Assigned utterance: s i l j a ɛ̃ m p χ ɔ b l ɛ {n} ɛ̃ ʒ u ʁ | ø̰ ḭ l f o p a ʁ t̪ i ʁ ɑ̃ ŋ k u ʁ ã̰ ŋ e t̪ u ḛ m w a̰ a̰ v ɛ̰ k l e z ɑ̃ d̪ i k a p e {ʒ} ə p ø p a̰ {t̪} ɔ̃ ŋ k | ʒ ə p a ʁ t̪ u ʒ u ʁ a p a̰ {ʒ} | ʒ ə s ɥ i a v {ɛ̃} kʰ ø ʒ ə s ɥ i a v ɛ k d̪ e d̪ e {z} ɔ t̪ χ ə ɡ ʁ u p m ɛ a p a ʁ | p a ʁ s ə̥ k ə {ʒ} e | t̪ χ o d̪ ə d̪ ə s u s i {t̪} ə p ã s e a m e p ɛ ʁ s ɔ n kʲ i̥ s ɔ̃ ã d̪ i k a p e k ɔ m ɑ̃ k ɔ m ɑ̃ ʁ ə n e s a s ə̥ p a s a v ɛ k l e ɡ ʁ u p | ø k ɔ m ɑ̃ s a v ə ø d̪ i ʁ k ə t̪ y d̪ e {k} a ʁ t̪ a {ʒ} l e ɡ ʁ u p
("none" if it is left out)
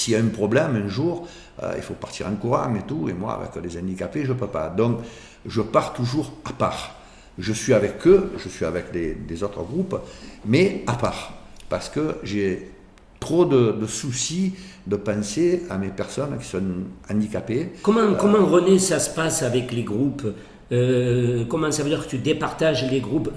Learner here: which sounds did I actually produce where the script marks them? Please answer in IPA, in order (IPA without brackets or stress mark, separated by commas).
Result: m, ʒ, d̪, ʁ, ɛ, z, ʒ, d̪, p, ʒ